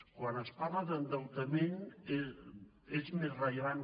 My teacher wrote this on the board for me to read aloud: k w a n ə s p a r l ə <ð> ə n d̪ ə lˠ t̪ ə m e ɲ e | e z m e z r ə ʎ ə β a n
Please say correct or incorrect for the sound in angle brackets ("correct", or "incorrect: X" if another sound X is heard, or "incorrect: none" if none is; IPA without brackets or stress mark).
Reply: correct